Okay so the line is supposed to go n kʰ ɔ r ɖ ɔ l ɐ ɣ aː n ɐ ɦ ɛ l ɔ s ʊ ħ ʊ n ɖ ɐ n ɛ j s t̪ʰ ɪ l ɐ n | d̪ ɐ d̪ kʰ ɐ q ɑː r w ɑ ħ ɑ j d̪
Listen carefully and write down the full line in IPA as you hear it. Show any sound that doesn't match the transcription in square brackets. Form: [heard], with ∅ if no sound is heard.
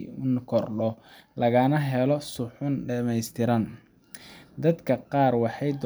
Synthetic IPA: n kʰ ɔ r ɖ ɔ l ɐ ɣ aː n ɐ ɦ ɛ l ɔ s ʊ ħ ʊ n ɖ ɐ [m] ɛ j s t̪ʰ ɪ [ɾ] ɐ n | d̪ ɐ d̪ kʰ ɐ q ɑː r w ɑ ħ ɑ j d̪